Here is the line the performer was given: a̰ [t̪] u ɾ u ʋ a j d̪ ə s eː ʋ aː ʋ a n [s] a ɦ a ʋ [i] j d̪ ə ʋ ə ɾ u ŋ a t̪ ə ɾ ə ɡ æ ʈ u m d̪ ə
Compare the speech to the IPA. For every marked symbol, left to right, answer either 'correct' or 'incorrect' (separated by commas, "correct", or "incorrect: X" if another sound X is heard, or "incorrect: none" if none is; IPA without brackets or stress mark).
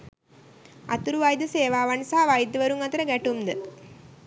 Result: correct, correct, incorrect: a